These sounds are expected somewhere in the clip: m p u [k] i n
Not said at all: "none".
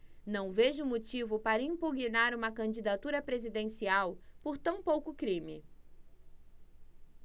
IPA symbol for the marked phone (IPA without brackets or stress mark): ɡ